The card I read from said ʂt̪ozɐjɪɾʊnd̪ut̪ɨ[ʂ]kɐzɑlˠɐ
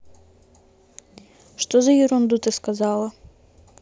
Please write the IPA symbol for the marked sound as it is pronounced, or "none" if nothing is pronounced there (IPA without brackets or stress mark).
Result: s